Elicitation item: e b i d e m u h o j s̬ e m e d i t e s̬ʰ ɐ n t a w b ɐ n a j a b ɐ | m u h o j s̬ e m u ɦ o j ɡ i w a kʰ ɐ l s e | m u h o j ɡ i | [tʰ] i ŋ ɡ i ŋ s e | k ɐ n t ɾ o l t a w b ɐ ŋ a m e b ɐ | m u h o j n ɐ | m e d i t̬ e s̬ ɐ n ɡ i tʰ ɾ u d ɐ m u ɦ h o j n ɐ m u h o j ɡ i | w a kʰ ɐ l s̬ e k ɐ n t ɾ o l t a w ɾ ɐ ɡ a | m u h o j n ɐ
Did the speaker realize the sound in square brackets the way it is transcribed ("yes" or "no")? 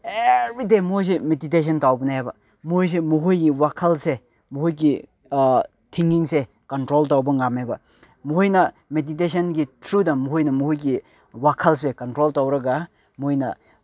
yes